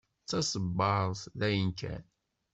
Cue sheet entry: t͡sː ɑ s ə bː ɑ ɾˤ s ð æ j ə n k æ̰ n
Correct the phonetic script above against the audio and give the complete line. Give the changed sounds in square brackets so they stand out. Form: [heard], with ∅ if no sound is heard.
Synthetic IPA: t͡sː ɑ s ə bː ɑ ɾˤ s ð æ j ə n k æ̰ n